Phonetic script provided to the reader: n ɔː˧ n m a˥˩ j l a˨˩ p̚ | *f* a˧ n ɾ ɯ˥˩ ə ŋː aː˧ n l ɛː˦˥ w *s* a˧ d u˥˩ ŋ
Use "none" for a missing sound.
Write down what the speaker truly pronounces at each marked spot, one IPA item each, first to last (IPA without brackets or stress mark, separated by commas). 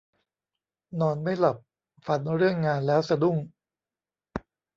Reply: f, s